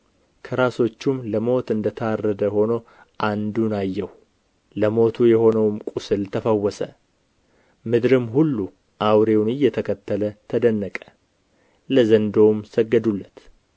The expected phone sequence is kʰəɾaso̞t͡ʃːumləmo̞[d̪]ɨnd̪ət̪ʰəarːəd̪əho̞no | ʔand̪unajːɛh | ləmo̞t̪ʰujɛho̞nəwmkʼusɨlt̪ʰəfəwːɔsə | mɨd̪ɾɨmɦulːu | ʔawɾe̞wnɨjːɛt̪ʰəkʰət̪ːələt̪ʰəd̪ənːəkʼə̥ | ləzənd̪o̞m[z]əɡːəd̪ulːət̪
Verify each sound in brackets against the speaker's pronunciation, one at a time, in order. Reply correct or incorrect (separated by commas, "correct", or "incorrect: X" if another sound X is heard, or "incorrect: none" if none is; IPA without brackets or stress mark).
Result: incorrect: t̪, incorrect: s